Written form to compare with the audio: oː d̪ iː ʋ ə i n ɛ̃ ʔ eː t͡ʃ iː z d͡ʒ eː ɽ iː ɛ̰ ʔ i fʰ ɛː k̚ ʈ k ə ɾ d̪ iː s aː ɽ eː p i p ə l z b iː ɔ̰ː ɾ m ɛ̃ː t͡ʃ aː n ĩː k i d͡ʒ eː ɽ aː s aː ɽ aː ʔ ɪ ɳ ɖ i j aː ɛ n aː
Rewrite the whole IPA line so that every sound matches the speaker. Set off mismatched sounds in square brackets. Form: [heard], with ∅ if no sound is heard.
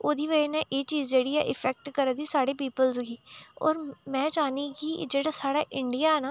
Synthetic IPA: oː d̪ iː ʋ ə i n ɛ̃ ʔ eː t͡ʃ iː z d͡ʒ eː ɽ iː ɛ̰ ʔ [ɪ] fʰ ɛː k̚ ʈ k ə ɾ d̪ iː s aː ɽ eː p [iː] p ə l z [ɡ] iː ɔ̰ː ɾ m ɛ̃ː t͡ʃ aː n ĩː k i d͡ʒ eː ɽ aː s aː ɽ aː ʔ ɪ ɳ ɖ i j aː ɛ n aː